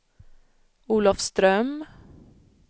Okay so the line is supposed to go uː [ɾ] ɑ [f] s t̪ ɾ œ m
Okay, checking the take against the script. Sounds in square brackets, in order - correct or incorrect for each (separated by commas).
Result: incorrect, correct